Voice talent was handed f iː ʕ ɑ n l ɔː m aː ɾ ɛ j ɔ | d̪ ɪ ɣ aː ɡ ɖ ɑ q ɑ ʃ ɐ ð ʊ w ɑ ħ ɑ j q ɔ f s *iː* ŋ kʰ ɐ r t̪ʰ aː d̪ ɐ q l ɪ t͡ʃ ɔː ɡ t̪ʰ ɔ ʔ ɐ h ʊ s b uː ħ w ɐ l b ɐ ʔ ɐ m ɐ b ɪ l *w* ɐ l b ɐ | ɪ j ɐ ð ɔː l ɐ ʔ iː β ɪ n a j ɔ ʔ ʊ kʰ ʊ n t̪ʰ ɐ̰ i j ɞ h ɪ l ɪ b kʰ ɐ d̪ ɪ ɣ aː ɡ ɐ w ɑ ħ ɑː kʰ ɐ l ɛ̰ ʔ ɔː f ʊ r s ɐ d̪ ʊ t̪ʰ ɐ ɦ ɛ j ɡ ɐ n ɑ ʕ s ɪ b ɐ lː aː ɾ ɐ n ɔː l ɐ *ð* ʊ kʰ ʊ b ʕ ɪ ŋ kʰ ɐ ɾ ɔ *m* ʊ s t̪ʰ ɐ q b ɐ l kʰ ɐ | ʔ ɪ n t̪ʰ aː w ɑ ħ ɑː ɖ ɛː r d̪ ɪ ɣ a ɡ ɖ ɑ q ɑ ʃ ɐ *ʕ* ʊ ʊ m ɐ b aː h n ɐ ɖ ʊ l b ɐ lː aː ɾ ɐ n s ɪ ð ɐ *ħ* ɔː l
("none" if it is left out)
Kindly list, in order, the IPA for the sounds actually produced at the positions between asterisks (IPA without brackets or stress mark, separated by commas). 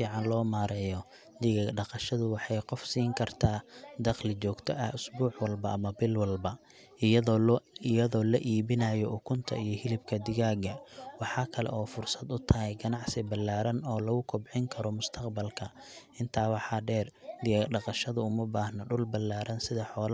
iː, w, ɣ, m, ð, ħ